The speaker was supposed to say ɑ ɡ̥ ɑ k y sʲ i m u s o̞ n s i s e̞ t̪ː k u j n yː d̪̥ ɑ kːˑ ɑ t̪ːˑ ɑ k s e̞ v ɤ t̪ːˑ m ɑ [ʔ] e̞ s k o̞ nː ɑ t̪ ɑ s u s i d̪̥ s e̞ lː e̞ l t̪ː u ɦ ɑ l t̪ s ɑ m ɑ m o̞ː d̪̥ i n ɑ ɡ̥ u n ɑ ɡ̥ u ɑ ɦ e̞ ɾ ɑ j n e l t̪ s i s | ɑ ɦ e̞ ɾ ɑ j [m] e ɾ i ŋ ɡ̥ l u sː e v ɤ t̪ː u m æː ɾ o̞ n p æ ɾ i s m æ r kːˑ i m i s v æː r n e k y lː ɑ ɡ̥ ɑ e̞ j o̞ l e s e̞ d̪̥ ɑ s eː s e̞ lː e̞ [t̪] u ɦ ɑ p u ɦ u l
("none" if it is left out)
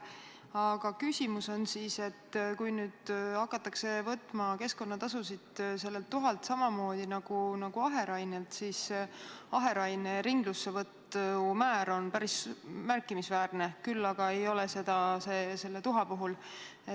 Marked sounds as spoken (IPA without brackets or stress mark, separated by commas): k, n, t̪